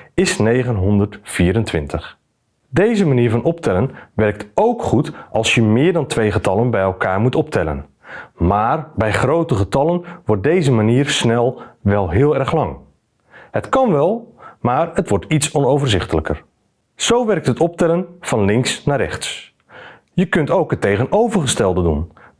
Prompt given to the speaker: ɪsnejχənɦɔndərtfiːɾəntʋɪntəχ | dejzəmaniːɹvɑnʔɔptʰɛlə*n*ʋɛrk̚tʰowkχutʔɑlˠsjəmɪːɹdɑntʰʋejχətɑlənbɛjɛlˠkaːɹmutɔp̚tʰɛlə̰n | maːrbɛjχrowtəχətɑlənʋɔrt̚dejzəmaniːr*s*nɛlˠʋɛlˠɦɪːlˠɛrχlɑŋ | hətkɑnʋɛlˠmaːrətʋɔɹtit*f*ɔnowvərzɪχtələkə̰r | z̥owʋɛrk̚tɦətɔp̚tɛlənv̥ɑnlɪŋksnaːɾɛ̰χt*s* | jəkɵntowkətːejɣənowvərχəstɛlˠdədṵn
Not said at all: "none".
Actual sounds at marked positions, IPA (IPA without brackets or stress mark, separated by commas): n, s, s, s